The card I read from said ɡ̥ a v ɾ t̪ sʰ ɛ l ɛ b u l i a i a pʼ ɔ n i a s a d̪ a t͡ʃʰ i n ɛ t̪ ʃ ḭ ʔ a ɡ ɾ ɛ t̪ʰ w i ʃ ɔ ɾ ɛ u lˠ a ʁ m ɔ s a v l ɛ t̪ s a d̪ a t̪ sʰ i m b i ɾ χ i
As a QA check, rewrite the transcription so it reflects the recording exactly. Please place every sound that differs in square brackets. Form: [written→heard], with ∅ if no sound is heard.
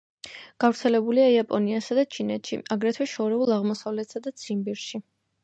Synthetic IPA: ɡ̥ a v ɾ t̪ sʰ ɛ l ɛ b u l i a i a pʼ ɔ n i a s a d̪ a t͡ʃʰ i n ɛ t̪ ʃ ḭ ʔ a ɡ ɾ ɛ t̪ʰ w [i→ɛ] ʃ ɔ ɾ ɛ u lˠ a ʁ m ɔ s a v l ɛ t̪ s a d̪ a t̪ sʰ i m b i ɾ [χ→ʃ] i